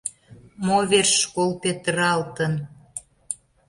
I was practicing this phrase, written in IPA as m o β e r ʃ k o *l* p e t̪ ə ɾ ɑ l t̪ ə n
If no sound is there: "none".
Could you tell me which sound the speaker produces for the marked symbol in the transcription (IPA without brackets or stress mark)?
l